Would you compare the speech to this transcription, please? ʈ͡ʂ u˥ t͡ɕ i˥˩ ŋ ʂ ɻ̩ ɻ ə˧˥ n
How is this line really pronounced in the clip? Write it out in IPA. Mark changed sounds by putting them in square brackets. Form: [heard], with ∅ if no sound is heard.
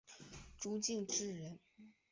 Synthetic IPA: ʈ͡ʂ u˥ t͡ɕ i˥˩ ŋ [ʈ͡ʂ] ɻ̩ ɻ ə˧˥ n